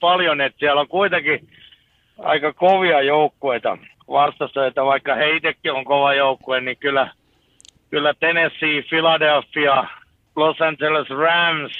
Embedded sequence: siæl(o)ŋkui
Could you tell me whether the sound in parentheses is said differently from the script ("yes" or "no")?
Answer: no